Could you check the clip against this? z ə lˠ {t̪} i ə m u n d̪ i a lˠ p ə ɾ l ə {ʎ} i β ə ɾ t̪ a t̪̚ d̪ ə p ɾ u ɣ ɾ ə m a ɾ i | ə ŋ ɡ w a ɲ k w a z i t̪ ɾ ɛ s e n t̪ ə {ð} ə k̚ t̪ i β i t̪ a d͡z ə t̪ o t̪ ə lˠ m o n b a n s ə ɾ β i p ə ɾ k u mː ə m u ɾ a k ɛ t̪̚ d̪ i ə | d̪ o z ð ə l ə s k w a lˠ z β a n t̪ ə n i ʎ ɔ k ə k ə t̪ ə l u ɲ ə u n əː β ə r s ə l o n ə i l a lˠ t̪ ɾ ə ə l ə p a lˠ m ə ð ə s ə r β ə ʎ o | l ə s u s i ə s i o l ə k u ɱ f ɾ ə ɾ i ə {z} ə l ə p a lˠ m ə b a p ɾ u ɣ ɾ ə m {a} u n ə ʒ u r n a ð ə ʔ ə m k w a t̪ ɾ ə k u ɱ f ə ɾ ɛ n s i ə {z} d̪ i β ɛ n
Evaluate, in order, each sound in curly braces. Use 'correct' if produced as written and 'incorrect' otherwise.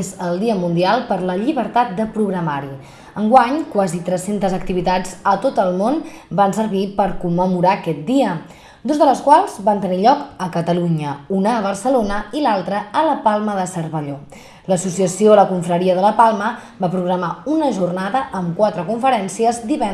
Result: incorrect, correct, incorrect, incorrect, correct, correct

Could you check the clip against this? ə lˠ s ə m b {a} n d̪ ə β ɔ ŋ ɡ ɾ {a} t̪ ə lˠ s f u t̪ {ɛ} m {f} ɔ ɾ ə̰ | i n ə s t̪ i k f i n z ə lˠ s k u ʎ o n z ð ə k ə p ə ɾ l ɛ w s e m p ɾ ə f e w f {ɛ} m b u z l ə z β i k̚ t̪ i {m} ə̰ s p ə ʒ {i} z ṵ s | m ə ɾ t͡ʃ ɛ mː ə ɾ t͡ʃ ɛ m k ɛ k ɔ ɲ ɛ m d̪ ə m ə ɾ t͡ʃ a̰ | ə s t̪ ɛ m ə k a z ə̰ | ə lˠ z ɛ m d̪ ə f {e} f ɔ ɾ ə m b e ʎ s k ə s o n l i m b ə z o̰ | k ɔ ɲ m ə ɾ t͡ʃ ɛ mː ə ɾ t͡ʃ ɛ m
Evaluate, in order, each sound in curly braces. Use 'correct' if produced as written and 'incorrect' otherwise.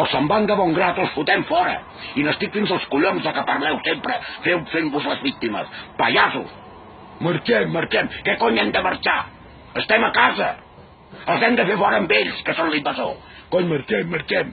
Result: correct, correct, correct, correct, incorrect, correct, incorrect, correct

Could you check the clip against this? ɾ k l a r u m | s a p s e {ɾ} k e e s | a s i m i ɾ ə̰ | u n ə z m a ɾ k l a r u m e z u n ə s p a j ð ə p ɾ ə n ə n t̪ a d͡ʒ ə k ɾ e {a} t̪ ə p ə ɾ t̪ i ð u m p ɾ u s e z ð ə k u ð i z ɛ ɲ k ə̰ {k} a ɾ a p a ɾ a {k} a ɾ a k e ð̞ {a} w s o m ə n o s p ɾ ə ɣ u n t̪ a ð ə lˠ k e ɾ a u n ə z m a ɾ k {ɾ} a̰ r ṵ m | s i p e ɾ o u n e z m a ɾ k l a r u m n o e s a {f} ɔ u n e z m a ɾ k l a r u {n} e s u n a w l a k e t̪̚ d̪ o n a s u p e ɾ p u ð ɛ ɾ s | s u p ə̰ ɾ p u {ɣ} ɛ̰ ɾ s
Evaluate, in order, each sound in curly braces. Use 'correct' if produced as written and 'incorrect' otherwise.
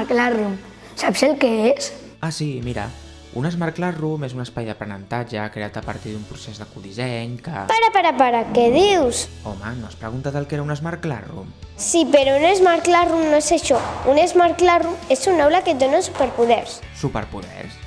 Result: incorrect, correct, incorrect, incorrect, incorrect, incorrect, incorrect, incorrect, incorrect

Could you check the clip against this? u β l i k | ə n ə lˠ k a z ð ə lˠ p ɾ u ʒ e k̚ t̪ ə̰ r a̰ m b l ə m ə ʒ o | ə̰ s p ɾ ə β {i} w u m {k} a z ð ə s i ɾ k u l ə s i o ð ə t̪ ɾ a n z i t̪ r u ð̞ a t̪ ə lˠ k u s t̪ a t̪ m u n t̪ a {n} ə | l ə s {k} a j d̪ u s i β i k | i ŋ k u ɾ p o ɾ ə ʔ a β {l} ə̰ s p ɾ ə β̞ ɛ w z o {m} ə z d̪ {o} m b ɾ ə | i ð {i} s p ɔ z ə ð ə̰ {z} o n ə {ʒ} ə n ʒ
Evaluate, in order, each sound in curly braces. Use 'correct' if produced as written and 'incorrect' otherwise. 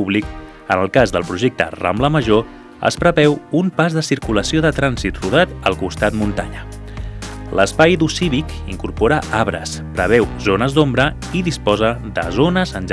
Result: incorrect, incorrect, incorrect, incorrect, incorrect, incorrect, correct, correct, correct, incorrect

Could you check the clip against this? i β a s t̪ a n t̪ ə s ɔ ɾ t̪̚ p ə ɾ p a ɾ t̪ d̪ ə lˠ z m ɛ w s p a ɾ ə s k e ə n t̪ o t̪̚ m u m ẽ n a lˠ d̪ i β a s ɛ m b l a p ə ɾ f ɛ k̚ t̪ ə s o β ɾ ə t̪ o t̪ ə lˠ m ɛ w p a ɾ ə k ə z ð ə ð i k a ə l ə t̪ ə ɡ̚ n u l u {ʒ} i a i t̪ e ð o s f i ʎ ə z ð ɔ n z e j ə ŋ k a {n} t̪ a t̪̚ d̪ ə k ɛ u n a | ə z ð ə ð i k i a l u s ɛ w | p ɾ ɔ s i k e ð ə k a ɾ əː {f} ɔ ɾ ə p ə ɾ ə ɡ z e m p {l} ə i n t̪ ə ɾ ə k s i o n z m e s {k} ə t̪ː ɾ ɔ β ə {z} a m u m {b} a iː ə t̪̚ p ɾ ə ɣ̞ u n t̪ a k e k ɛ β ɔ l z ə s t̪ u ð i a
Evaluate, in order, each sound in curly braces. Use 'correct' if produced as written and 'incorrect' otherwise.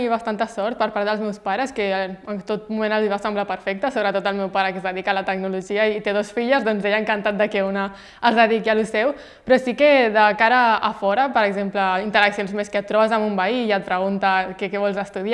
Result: correct, correct, correct, correct, correct, correct, correct

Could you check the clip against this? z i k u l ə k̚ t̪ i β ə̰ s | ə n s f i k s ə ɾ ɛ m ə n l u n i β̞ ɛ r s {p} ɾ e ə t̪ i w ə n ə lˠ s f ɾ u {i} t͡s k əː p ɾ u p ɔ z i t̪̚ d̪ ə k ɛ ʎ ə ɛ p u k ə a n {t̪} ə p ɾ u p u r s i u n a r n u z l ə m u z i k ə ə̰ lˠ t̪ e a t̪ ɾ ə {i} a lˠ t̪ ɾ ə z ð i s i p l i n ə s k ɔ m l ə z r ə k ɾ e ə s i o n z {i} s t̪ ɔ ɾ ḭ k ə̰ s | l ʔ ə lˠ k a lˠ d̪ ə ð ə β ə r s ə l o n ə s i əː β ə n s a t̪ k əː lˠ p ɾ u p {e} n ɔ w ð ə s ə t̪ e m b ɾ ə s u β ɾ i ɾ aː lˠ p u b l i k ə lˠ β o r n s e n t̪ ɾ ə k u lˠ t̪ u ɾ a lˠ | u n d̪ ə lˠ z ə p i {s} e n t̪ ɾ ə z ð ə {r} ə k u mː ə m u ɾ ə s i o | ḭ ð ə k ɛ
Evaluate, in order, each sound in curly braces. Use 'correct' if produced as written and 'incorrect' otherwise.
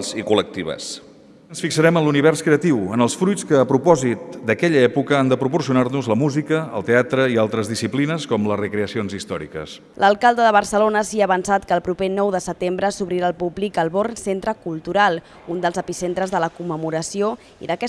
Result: incorrect, incorrect, incorrect, correct, correct, correct, correct, incorrect

